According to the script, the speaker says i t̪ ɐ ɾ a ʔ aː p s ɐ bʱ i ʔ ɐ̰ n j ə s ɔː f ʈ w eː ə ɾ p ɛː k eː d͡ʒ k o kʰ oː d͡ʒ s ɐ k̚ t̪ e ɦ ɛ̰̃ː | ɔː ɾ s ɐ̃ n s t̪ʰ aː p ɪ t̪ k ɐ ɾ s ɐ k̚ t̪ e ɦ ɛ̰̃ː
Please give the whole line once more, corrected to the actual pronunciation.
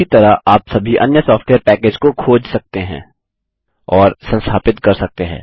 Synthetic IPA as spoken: i t̪ ɐ ɾ a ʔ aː p s ɐ bʱ i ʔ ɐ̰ n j ə s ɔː f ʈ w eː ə ɾ p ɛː k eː d͡ʒ k o kʰ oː d͡ʒ s ɐ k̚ t̪ e ɦ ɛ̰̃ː | ɔː ɾ s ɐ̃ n s t̪ʰ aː p ɪ t̪ k ɐ ɾ s ɐ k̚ t̪ e ɦ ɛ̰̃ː

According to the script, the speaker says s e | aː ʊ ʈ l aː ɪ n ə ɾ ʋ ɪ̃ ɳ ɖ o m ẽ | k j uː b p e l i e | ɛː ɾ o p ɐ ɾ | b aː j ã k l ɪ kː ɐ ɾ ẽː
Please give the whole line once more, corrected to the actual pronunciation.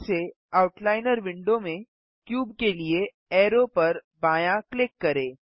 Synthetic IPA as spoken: s e | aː ʊ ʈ l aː ɪ n ə ɾ ʋ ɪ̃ ɳ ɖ o m ẽ | k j uː b k e l i e | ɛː ɾ o p ɐ ɾ | b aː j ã k l ɪ kː ɐ ɾ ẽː

